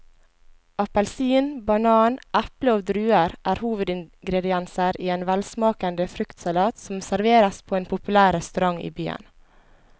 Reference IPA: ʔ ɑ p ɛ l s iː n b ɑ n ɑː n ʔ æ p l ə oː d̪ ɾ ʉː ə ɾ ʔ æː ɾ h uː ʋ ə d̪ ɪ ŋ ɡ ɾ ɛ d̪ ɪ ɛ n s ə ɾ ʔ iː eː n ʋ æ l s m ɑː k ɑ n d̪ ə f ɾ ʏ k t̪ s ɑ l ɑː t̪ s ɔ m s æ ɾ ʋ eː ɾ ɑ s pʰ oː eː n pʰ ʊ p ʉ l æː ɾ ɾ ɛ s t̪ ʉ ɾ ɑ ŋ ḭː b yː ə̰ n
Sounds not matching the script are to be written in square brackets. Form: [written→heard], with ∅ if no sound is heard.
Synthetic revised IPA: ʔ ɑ p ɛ l s iː n b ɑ n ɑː n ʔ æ p l ə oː d̪ ɾ ʉː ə ɾ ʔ æː ɾ h uː ʋ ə d̪ ɪ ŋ ɡ ɾ ɛ d̪ ɪ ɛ n s ə ɾ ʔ iː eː n ʋ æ l s m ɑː k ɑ n d̪ ə f ɾ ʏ k t̪ s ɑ l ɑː t̪ s ɔ m s æ ɾ ʋ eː ɾ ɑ s pʰ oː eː n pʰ ʊ p ʉ l æː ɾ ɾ ɛ s t̪ ʉ ɾ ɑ ŋ ḭː b yː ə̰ n